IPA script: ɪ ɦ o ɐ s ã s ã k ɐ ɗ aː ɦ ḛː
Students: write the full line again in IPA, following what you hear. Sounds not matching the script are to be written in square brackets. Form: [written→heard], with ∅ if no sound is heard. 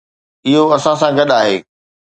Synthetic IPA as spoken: ɪ ɦ o ɐ s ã s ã [k→ɡ] ɐ ɗ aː ɦ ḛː